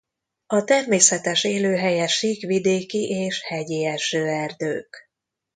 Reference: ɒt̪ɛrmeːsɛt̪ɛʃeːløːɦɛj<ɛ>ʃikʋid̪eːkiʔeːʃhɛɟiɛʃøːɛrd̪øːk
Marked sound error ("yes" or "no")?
no